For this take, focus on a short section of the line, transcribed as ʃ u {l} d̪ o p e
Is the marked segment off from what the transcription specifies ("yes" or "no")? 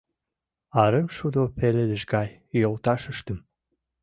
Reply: yes